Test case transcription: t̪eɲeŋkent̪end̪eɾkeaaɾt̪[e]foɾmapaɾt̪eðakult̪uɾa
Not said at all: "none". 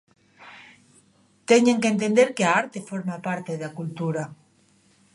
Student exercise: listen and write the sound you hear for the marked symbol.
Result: e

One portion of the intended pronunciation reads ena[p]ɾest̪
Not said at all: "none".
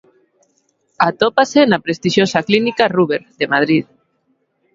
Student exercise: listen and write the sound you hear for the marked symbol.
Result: p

